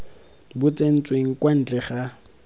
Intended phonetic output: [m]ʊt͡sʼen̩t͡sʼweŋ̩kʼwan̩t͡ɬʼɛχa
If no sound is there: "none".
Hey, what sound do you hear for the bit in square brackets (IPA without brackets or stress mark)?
b